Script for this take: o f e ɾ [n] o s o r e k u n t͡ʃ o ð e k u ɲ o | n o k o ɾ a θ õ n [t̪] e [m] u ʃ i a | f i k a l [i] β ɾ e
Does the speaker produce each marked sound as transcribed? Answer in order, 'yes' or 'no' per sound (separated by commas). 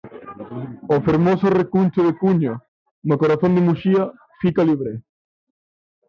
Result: no, no, yes, yes